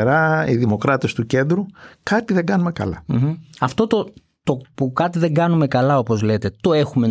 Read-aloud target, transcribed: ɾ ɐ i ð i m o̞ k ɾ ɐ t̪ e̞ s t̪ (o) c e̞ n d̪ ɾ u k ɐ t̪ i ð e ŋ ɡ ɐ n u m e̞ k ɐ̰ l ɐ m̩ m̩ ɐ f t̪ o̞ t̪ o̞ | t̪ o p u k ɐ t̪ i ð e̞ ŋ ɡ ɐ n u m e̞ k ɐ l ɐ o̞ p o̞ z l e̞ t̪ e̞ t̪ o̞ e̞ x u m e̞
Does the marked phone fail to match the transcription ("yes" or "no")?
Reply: yes